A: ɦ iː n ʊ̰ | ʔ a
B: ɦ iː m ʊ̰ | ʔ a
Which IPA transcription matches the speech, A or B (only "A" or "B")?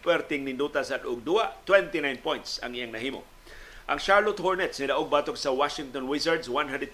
B